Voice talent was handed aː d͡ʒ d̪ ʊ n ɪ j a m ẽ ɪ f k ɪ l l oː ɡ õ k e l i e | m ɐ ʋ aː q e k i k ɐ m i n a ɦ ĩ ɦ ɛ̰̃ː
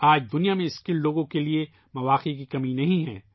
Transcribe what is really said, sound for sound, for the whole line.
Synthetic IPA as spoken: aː d͡ʒ d̪ ʊ n i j a m ẽ ɪ s k ɪ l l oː ɡ õ k e l i e | m ɐ ʋ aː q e k i k ɐ m i n ɐ ɦ ĩ ɦ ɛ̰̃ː